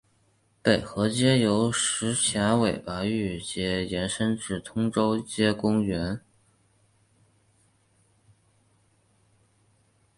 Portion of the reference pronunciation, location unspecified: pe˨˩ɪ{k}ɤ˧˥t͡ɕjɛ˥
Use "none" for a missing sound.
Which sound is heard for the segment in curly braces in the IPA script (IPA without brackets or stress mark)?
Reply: x